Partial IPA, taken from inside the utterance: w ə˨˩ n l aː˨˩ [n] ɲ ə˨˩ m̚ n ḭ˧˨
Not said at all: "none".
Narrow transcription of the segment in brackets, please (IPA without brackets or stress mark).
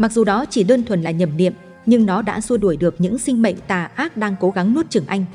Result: none